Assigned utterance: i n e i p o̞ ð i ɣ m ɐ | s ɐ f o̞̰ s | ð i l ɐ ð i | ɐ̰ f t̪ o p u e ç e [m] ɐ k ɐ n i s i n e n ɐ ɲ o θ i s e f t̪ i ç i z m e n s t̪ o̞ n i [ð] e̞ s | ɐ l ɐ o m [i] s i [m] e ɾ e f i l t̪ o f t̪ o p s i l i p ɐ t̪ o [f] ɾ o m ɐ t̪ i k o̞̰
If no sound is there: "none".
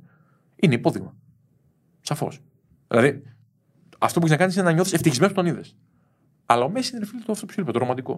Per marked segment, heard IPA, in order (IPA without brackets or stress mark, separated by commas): n, ð, e, n, none